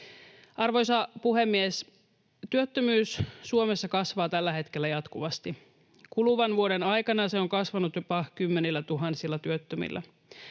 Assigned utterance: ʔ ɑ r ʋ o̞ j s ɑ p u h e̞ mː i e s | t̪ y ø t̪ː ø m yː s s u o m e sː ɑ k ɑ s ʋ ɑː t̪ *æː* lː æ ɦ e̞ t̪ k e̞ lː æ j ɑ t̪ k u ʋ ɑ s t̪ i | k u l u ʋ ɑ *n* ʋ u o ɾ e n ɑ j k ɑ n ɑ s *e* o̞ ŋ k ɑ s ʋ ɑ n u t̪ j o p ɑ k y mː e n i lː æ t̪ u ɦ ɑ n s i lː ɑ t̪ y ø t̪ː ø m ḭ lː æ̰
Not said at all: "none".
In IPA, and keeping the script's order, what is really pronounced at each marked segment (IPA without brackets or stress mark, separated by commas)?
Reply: æ, n, e